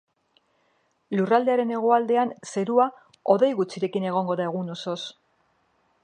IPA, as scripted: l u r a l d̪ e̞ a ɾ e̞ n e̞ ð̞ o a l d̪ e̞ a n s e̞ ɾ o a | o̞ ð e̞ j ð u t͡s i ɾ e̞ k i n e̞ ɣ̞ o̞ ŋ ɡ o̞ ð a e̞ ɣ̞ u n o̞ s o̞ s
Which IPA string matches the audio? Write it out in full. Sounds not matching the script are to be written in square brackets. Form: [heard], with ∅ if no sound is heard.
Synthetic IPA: l u r a l d̪ e̞ a ɾ e̞ n e̞ [ɣ̞] o a l d̪ e̞ a n s e̞ ɾ [u] a | o̞ ð e̞ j [ɣ] u t͡s i ɾ e̞ k i n e̞ ɣ̞ o̞ ŋ ɡ o̞ ð a e̞ ɣ̞ u n o̞ s o̞ s